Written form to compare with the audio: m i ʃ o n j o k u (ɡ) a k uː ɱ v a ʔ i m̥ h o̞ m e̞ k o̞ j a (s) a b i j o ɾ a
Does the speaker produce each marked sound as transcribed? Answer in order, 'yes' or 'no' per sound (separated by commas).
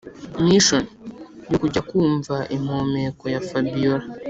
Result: no, no